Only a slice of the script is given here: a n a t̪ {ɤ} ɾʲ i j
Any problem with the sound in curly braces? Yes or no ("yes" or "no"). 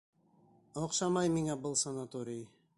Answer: yes